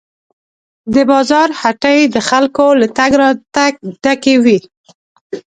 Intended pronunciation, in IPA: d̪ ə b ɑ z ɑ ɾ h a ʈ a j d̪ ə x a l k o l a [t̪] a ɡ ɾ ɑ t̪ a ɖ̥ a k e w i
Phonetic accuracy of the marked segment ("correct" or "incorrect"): correct